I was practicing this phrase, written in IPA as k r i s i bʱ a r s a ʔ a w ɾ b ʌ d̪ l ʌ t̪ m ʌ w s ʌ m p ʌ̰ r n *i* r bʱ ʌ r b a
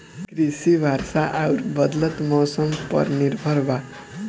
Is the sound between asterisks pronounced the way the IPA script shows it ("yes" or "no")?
yes